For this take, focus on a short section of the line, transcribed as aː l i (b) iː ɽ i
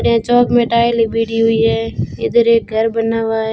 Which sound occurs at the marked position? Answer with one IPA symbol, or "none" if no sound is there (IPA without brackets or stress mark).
b